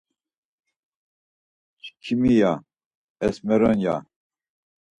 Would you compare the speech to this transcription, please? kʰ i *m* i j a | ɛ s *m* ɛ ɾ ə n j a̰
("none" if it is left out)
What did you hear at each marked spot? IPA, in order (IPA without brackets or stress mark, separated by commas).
m, m